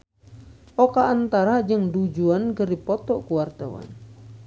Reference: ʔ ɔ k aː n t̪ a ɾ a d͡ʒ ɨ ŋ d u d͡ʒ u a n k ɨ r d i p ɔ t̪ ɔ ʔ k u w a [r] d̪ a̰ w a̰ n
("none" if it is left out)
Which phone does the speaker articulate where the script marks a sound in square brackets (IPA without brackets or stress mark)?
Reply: r